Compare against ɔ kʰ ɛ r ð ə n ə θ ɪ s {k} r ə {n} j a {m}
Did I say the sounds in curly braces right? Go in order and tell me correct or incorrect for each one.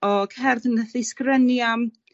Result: correct, correct, correct

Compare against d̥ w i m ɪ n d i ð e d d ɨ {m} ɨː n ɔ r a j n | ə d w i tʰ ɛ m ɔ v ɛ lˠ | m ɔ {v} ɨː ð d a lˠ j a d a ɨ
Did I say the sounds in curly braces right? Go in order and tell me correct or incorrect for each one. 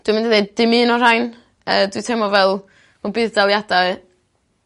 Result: correct, incorrect: b

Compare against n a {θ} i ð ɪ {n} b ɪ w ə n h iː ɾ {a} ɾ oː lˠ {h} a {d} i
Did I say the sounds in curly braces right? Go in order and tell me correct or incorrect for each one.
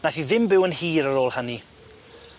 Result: correct, incorrect: m, incorrect: ə, correct, incorrect: n

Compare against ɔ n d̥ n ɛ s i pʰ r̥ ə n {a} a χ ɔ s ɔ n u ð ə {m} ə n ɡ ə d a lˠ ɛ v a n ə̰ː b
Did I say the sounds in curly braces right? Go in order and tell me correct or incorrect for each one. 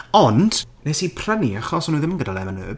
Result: incorrect: i, correct

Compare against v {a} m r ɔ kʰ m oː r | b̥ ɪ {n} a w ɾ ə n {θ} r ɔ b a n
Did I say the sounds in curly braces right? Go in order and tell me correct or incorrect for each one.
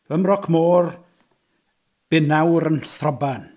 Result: incorrect: ə, correct, correct

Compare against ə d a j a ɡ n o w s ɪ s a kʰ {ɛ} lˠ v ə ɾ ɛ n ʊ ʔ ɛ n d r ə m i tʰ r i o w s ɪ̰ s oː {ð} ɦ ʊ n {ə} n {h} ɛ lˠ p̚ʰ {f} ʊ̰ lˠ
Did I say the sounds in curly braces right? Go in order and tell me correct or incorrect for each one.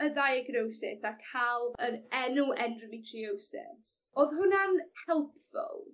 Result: incorrect: a, correct, incorrect: a, correct, correct

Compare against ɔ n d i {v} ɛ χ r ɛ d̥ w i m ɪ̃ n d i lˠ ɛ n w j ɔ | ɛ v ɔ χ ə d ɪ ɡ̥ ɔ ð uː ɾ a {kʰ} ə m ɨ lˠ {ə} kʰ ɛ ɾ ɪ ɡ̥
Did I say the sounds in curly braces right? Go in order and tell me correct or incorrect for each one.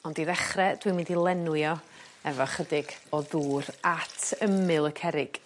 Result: incorrect: ð, incorrect: tʰ, correct

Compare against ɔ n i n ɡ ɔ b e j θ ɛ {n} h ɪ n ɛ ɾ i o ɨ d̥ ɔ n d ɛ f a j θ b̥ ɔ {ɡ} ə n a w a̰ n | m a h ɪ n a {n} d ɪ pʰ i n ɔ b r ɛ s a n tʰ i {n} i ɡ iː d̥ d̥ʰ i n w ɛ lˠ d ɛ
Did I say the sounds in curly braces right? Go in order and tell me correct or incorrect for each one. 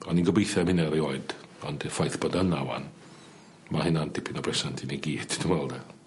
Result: incorrect: m, incorrect: d, correct, correct

